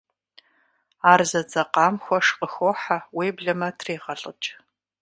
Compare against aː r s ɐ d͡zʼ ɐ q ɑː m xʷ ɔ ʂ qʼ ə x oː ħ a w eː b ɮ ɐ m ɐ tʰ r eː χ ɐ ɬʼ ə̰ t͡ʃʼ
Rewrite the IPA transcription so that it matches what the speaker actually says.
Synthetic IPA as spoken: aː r z ɐ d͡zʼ ɐ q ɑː m xʷ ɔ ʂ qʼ ə x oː ħ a w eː b ɮ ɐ m ɐ tʰ r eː ʁ ɐ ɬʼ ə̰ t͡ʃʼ

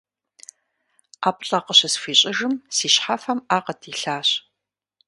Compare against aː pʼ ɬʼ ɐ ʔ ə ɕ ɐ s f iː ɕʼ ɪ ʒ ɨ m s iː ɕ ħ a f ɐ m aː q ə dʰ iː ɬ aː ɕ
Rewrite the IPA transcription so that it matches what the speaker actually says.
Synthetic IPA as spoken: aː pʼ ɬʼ ɐ q ə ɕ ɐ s f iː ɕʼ ɪ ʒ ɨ m s iː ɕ ħ a f ɐ m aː q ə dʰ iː ɬ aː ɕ

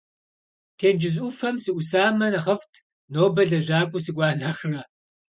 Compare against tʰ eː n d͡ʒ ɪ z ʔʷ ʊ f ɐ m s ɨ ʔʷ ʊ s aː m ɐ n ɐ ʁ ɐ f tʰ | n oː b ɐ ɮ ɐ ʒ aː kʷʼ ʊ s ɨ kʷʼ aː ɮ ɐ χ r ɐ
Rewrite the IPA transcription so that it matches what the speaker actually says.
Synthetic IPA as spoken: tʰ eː n d͡ʒ ɪ z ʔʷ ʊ f ɐ m s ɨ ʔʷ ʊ s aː m ɐ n ɐ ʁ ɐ f tʰ | n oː b ɐ ɮ ɐ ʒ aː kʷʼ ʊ s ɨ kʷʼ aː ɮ ɐ χ r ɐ

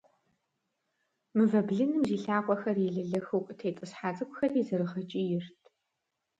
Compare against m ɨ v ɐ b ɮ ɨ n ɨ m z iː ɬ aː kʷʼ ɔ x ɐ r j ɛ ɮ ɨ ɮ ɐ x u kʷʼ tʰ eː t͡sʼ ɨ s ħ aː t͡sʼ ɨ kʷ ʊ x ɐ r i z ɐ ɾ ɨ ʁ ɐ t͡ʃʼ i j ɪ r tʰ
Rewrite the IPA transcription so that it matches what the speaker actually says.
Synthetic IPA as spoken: m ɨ v ɐ b ɮ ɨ n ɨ m z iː ɬ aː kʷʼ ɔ x ɐ r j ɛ ɮ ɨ ɮ ɐ x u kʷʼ tʰ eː t͡sʼ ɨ s ħ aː t͡sʼ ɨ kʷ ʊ x ɐ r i z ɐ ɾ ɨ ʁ ɐ t͡ʃʼ i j ɪ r tʰ

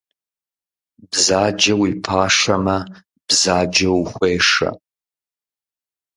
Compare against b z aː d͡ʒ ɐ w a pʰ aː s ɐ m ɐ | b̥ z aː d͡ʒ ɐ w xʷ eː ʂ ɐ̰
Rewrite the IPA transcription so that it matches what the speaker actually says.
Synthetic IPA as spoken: b z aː d͡ʒ ɐ w i pʰ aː ʂ ɐ m ɐ | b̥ z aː d͡ʒ ɐ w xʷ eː ʂ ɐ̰

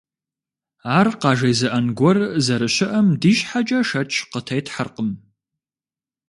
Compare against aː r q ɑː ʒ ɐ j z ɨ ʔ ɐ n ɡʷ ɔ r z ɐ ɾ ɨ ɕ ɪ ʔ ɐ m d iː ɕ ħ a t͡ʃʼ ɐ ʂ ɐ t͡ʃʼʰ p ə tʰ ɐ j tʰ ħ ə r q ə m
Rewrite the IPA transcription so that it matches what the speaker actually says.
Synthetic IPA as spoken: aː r q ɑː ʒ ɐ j z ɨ ʔ ɐ n ɡʷ ɔ r z ɐ ɾ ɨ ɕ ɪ ʔ ɐ m d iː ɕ ħ a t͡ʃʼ ɐ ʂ ɐ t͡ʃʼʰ q ə tʰ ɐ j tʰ ħ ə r q ə m

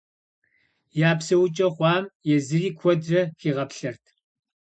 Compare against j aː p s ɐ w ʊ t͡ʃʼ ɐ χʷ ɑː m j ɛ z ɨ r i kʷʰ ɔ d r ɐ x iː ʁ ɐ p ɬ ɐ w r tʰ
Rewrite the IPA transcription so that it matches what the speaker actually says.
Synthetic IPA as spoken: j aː p s ɐ w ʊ t͡ʃʼ ɐ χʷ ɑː m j ɛ z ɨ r iː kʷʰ ɔ d r ɐ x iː ʁ ɐ p ɬ ɐ r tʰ

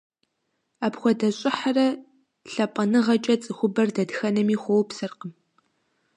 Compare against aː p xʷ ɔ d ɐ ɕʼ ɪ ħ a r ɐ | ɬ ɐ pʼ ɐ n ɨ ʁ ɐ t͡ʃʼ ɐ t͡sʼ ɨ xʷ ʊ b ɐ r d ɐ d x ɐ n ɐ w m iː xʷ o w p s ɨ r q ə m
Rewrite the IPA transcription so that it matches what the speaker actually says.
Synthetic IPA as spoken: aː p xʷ ɔ d ɐ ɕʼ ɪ ħ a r ɐ | ɬ ɐ pʼ ɐ n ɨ ʁ ɐ t͡ʃʼ ɐ t͡sʼ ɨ xʷ ʊ b ɐ r d ɐ d x ɐ n ɐ m iː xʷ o w p s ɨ r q ə m

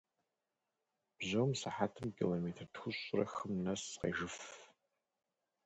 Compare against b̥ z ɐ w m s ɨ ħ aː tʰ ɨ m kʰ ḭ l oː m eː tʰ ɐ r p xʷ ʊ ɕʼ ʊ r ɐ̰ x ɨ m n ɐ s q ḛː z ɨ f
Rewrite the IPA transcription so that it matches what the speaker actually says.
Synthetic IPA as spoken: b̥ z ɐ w m s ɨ ħ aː tʰ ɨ m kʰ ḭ l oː m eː tʰ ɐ r t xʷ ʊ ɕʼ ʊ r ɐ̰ x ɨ m n ɐ s q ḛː ʒ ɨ f

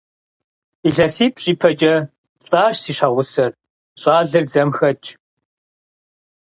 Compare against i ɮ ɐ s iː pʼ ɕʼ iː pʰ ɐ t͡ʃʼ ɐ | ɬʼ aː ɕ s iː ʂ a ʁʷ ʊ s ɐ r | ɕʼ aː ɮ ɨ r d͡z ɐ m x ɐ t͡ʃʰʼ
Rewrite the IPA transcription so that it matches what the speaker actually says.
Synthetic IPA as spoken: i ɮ ɐ s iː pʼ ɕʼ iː pʰ ɐ t͡ʃʼ ɐ | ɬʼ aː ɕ s iː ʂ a ʁʷ ʊ s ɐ r | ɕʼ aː ɮ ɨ r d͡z ɐ m x ɐ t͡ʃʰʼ

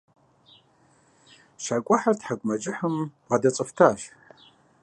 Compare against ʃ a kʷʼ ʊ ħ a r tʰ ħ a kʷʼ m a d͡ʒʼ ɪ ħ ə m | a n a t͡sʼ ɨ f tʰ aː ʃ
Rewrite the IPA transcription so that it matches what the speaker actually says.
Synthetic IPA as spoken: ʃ a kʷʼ ʊ ħ a r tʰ ħ a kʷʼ m a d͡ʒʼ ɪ ħ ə m | a d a t͡sʼ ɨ f tʰ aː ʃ

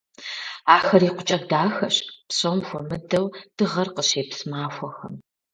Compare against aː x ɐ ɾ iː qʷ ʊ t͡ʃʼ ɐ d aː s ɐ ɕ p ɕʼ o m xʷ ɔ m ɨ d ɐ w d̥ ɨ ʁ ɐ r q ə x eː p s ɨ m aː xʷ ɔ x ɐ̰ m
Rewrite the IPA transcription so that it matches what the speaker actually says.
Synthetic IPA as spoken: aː x ɐ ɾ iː qʷ ʊ t͡ʃʼ ɐ d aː x ɐ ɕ p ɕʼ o m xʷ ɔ m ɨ d ɐ w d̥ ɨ ʁ ɐ r q ə ɕ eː p s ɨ m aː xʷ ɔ x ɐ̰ m

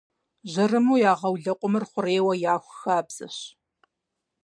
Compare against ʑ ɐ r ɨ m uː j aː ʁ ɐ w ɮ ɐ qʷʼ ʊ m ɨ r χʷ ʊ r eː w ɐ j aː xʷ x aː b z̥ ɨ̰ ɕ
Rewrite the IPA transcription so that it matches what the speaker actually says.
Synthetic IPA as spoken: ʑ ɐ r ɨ m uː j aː ʁ ɐ w ɮ ɐ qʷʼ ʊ m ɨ r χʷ ʊ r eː w ɐ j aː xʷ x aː b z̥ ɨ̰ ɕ

